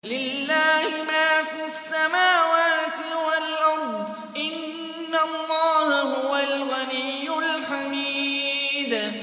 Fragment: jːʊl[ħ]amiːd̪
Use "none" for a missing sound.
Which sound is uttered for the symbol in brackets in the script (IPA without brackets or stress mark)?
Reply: ħ